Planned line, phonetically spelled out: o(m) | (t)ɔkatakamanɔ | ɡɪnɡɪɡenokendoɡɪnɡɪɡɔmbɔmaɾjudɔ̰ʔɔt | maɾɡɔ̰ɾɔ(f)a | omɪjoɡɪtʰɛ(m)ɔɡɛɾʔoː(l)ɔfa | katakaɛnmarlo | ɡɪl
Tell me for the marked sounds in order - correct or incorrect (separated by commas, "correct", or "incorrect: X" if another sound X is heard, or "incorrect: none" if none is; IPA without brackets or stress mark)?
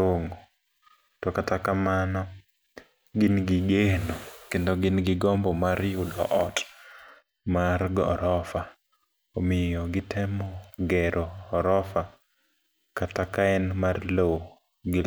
incorrect: ŋ, correct, correct, correct, incorrect: ɾ